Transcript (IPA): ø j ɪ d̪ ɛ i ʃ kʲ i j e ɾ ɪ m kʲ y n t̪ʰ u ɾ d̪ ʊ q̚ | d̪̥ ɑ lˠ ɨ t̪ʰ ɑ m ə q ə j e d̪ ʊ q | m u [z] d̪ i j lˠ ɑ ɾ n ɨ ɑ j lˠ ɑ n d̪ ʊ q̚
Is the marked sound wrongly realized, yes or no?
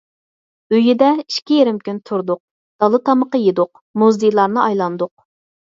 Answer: no